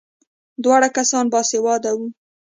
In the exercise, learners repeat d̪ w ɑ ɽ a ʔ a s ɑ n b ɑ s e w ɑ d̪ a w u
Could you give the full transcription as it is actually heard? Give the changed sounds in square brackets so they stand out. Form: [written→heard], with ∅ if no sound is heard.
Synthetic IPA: d̪ w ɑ ɽ a [ʔ→k] a s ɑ n b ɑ s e w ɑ d̪ a w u